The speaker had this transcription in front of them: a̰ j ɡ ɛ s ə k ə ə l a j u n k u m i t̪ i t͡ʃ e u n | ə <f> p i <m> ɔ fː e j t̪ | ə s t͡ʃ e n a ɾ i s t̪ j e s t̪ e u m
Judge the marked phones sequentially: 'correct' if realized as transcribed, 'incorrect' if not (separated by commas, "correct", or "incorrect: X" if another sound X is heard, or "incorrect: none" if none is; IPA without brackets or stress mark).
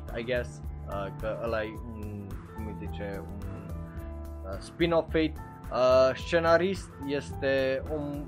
incorrect: s, incorrect: n